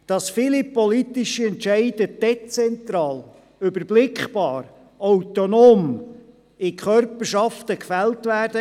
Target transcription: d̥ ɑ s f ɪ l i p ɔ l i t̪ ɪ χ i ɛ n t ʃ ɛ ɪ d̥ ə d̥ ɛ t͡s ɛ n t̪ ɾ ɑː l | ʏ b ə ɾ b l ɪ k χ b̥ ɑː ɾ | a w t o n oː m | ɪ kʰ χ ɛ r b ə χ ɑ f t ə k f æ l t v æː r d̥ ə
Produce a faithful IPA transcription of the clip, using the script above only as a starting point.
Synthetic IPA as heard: d̥ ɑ s f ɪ l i p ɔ l i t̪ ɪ ʃ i ɛ n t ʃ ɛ ɪ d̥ ə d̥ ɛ t͡s ɛ n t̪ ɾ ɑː l | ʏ b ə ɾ b l ɪ k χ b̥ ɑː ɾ | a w t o n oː m | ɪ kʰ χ œ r p ə ʃ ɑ f t ə k f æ l t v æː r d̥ ə